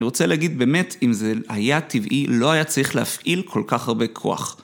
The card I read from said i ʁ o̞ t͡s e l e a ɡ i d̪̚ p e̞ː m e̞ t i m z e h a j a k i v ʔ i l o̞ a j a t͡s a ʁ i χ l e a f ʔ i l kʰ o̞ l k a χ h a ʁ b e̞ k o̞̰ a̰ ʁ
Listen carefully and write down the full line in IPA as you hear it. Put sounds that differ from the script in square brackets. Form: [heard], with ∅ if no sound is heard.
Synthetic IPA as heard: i ʁ o̞ t͡s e l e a ɡ i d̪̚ [b] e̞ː m e̞ t i m z e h a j a [t] i v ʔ i l o̞ a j a t͡s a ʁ i χ l e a f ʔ i l kʰ o̞ l k a χ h a ʁ b e̞ [kʰ] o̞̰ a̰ [χ]